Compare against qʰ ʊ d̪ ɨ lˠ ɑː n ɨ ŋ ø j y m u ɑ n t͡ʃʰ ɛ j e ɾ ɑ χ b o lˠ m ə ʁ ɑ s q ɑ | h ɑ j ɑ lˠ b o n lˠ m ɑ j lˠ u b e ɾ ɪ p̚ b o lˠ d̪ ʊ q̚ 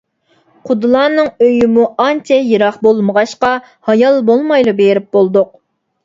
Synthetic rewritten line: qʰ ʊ d̪ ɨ lˠ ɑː n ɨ ŋ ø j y m u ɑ n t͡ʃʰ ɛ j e ɾ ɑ χ b o lˠ m ə ʁ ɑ ʃ q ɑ | h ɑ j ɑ lˠ b o lˠ m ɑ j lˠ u b e ɾ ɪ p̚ b o lˠ d̪ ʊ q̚